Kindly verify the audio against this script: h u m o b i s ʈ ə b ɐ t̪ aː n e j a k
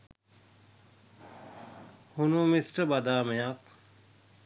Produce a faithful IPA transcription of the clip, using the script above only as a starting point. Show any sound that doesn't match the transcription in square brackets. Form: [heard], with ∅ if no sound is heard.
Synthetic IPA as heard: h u [n] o [m] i s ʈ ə b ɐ [d̪] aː [m] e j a k